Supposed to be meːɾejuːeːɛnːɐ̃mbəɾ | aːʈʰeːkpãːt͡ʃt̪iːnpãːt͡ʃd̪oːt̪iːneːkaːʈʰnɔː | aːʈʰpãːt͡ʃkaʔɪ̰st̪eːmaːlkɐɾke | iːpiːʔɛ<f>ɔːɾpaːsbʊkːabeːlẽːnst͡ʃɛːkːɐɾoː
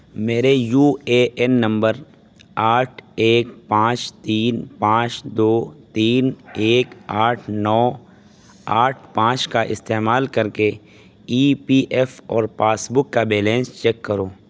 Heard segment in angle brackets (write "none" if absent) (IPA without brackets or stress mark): f